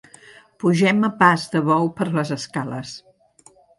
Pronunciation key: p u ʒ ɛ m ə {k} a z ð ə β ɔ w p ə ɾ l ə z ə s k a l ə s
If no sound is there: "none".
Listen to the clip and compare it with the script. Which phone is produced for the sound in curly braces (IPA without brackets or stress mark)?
p